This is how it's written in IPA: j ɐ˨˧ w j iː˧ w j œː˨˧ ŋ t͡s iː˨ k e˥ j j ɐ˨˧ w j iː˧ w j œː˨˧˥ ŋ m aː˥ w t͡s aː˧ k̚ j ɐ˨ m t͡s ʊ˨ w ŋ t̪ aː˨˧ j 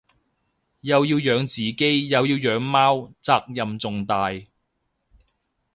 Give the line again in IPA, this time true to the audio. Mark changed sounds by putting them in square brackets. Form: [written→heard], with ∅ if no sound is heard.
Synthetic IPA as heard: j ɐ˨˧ w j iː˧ w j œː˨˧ ŋ t͡s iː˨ k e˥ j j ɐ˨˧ w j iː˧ w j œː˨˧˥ ŋ m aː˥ w t͡s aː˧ k̚ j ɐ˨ m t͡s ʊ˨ [w→∅] ŋ t̪ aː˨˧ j